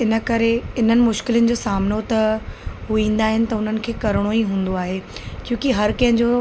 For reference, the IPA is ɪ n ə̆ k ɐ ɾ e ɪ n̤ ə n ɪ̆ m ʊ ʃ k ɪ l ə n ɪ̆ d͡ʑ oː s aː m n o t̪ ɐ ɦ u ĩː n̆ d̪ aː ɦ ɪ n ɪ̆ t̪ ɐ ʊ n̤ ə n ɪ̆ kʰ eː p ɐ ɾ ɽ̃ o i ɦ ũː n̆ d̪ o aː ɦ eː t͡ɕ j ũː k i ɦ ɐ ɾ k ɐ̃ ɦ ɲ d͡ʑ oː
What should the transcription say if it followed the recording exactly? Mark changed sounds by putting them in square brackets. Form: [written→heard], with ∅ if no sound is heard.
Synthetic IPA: ɪ n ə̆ k ɐ ɾ e ɪ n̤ ə n ɪ̆ m ʊ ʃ k ɪ l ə n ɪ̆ d͡ʑ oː s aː m n o t̪ ɐ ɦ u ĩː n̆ d̪ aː ɦ ɪ n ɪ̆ t̪ ɐ ʊ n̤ ə n ɪ̆ kʰ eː [p→k] ɐ ɾ ɽ̃ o i ɦ ũː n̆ d̪ o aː ɦ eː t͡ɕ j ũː k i ɦ ɐ ɾ k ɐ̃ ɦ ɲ d͡ʑ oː

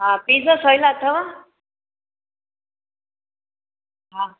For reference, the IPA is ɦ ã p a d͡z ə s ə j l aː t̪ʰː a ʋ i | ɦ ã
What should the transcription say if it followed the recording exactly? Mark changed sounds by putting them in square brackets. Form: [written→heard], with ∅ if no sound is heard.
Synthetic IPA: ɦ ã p [a→i] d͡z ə s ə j l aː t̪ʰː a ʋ [i→a] | ɦ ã

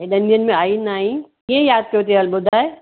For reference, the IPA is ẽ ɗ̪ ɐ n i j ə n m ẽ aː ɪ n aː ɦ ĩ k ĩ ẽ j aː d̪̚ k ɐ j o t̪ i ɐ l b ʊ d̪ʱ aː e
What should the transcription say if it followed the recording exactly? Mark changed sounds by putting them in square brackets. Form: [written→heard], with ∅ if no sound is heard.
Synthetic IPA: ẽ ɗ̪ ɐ n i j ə n m ẽ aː [ɪ→i] n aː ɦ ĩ k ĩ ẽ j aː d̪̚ k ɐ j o t̪ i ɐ l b ʊ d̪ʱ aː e

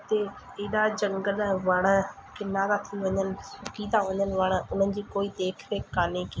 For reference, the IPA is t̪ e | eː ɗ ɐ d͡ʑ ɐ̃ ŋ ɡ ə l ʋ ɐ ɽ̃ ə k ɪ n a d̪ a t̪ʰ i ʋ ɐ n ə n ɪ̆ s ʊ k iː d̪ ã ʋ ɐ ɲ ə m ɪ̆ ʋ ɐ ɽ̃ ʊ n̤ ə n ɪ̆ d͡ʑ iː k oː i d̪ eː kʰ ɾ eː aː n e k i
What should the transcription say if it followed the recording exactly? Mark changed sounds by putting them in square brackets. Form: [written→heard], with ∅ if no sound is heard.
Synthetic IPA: t̪ e | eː ɗ [ɐ→a] d͡ʑ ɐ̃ ŋ ɡ ə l ʋ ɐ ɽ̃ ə k ɪ n a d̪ a t̪ʰ i ʋ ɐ [n→ɲ] ə n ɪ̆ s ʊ k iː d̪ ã ʋ ɐ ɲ ə [m→n] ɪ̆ ʋ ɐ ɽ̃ ʊ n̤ ə n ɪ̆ d͡ʑ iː k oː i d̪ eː kʰ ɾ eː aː n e k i

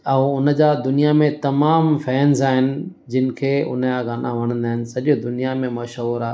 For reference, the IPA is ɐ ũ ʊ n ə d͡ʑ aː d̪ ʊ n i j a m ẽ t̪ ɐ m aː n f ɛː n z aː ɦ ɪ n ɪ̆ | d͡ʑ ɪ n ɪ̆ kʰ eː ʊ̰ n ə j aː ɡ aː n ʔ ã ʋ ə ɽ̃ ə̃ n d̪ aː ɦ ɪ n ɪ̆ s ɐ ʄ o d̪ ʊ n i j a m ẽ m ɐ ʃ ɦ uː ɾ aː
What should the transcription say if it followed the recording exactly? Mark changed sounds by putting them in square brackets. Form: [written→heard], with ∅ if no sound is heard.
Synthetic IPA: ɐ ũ ʊ n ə d͡ʑ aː d̪ ʊ n i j a m ẽ t̪ ɐ m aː [n→m] f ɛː n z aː ɦ ɪ n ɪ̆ | d͡ʑ ɪ n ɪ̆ kʰ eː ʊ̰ n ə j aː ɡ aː n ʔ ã ʋ [ə→ɐ] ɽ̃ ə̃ n d̪ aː ɦ ɪ n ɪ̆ s ɐ ʄ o d̪ ʊ n i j a m ẽ m ɐ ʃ ɦ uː ɾ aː

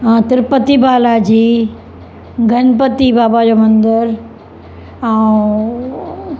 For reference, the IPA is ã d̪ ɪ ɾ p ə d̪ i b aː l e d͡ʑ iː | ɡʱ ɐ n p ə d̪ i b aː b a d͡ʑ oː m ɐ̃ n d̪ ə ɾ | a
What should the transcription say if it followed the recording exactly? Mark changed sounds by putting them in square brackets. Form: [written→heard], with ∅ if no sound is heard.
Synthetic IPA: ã [d̪→t̪] ɪ ɾ p ə [d̪→t̪] i b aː l [e→a] d͡ʑ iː | ɡʱ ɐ n p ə [d̪→t̪] i b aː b a d͡ʑ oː m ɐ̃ n d̪ ə ɾ | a

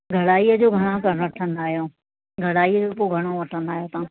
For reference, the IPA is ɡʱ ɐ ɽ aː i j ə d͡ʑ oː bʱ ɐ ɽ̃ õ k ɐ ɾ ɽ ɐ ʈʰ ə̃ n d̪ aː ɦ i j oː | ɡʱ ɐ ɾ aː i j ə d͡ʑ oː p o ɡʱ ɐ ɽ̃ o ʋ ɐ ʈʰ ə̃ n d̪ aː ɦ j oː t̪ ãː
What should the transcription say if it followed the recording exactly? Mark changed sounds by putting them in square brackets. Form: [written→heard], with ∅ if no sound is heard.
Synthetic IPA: ɡʱ ɐ ɽ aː i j ə d͡ʑ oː [bʱ→ɡʱ] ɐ ɽ̃ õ k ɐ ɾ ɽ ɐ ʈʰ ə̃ n d̪ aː ɦ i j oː | ɡʱ ɐ [ɾ→ɽ] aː i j ə d͡ʑ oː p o ɡʱ ɐ ɽ̃ o ʋ ɐ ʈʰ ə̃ n d̪ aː ɦ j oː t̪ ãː

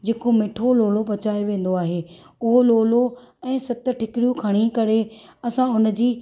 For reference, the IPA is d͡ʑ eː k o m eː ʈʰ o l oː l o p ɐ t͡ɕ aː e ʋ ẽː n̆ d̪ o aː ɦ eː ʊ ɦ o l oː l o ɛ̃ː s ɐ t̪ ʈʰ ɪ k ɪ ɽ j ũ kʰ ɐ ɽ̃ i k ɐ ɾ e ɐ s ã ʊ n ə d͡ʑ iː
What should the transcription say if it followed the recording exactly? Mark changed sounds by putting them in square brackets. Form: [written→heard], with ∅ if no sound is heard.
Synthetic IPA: d͡ʑ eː k o m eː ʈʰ o l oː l o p ɐ t͡ɕ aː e ʋ ẽː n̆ d̪ o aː ɦ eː ʊ ɦ o l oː l o ɛ̃ː s ɐ t̪ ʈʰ ɪ k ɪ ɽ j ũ kʰ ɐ ɽ̃ i k ɐ ɾ e ɐ s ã ʊ n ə d͡ʑ iː

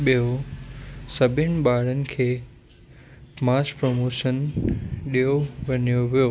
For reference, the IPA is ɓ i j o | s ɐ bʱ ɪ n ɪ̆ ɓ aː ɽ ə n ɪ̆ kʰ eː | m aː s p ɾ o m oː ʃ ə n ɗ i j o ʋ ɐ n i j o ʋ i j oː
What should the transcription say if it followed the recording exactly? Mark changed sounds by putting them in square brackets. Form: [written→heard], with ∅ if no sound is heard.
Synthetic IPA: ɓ i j o | s ɐ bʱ ɪ n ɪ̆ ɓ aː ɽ ə n ɪ̆ kʰ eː | m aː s p ɾ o m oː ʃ ə n ɗ i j o ʋ ɐ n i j o ʋ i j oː

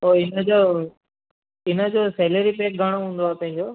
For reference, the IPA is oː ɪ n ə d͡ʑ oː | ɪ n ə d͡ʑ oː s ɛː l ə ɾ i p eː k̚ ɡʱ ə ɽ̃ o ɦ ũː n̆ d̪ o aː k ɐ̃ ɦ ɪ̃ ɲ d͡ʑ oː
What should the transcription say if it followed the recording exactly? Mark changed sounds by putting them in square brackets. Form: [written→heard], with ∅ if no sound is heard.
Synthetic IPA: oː ɪ n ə d͡ʑ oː | ɪ n ə d͡ʑ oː s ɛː l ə ɾ i p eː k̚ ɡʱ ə ɽ̃ o ɦ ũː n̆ d̪ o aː [k→p] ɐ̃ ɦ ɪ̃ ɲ d͡ʑ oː

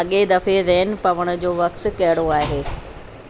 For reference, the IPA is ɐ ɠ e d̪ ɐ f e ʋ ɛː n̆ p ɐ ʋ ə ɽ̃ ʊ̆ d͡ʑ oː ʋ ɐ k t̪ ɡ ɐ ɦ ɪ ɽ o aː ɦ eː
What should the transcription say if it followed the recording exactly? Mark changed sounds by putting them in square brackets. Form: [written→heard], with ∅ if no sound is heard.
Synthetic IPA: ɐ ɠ e d̪ ɐ f e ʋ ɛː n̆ p ɐ ʋ ə ɽ̃ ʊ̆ d͡ʑ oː ʋ ɐ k t̪ [ɡ→k] ɐ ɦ ɪ ɽ o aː ɦ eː

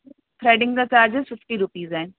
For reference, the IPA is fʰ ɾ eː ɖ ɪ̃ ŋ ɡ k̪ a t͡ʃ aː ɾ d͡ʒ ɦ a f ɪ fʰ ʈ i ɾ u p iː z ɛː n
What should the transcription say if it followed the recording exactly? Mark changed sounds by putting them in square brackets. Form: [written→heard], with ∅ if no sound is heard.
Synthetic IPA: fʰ ɾ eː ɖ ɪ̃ ŋ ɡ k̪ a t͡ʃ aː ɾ d͡ʒ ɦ [a→ɛ] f ɪ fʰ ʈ i ɾ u p iː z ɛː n

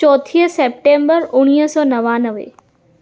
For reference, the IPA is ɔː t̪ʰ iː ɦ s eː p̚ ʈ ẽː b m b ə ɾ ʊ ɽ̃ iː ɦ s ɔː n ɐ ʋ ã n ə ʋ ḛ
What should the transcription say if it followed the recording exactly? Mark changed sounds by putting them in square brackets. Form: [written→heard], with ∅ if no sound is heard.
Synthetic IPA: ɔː t̪ʰ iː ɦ s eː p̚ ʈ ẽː [b→∅] m b ə ɾ ʊ ɽ̃ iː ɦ s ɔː n ɐ ʋ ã n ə ʋ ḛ

